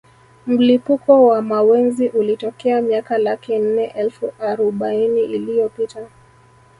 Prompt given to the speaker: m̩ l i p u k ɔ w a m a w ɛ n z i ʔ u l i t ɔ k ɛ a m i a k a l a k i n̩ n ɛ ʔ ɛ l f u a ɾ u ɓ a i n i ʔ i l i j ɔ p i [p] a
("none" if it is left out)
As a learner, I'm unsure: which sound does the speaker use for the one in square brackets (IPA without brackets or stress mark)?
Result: t